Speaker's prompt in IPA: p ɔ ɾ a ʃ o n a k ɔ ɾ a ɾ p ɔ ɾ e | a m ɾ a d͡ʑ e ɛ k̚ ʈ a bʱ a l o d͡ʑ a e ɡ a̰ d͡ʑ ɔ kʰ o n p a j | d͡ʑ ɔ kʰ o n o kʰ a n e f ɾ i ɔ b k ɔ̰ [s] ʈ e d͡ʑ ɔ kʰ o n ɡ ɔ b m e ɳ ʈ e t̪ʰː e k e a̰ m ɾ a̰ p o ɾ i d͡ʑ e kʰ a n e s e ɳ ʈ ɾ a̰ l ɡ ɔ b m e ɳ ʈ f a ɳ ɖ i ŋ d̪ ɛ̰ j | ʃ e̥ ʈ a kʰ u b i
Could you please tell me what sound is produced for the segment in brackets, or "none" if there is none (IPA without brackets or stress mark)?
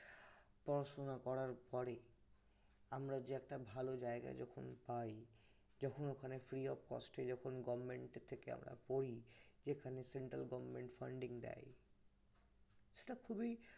s